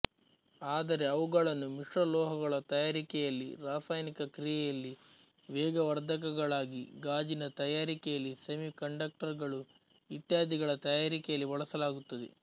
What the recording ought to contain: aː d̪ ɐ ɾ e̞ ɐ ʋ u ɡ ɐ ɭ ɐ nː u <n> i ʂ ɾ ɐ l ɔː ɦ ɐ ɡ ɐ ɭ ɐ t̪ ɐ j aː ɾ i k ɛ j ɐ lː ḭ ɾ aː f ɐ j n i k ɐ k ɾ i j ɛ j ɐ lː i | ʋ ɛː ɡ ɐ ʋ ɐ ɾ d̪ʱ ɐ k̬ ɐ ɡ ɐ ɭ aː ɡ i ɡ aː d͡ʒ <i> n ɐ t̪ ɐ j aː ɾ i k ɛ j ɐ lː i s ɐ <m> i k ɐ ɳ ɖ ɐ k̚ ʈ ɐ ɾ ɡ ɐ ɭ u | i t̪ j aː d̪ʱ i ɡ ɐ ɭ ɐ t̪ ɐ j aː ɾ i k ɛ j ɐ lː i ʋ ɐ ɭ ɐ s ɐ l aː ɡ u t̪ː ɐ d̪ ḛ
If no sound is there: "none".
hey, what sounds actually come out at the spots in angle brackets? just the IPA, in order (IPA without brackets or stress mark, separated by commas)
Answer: m, i, m